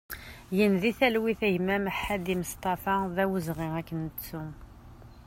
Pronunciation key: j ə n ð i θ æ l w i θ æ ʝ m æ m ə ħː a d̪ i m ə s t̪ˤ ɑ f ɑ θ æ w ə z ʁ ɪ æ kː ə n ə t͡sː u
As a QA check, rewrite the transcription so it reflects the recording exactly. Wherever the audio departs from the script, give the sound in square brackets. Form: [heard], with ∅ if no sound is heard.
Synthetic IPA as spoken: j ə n ð i θ æ l w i θ æ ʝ m æ m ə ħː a d̪ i m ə s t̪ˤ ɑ f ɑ [ð] æ w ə z ʁ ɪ æ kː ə n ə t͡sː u